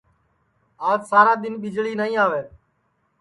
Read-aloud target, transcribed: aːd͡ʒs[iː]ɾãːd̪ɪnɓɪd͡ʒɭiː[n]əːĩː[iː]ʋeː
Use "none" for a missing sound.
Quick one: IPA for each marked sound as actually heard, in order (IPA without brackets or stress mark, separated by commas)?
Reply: aː, n, aː